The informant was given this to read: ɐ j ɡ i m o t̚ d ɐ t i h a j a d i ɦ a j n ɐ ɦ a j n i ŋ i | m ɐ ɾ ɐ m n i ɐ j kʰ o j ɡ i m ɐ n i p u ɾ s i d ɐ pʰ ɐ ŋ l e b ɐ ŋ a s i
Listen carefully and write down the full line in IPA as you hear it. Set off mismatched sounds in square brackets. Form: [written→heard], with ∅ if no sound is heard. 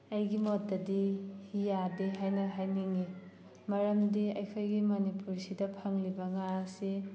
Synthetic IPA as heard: ɐ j ɡ i m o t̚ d ɐ [t→d] i h [a→i] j a d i ɦ a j n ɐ ɦ a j n i ŋ i | m ɐ ɾ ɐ m [n→d] i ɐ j kʰ o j ɡ i m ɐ n i p u ɾ s i d ɐ pʰ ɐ ŋ l [e→i] b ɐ ŋ a s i